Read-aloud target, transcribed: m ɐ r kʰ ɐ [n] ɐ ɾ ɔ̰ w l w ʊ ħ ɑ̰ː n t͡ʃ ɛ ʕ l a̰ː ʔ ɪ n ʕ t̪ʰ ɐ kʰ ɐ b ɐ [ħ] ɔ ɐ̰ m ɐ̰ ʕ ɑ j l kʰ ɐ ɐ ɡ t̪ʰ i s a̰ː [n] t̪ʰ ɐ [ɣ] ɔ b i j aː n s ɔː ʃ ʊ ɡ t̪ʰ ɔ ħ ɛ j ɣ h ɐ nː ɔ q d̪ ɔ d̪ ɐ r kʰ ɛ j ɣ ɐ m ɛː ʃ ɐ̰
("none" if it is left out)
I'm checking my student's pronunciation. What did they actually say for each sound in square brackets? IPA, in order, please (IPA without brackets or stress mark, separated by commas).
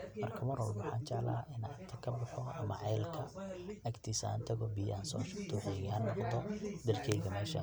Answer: m, ħ, n, ɣ